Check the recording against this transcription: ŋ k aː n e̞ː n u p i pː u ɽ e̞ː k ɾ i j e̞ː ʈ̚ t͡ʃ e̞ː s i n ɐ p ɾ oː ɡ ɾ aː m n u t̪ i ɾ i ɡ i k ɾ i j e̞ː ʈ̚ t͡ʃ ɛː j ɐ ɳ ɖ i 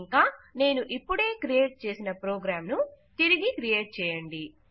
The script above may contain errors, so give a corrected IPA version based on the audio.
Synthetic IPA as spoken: ŋ k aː n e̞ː n u ʔ i pː u ɽ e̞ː k ɾ i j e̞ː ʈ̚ t͡ʃ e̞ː s i n ɐ p ɾ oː ɡ ɾ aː m n u t̪ i ɾ i ɡ i k ɾ i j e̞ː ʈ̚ t͡ʃ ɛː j ɐ ɳ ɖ i